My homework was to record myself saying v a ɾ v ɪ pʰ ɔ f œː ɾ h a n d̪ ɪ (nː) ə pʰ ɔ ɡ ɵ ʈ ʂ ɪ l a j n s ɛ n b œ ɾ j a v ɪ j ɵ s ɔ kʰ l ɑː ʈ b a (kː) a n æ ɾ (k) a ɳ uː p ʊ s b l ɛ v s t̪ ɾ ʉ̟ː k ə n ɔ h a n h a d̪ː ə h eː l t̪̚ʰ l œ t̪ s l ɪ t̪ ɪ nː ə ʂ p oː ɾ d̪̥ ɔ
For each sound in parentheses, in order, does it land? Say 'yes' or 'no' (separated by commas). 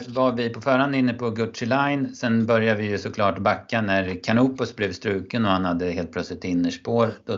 yes, yes, no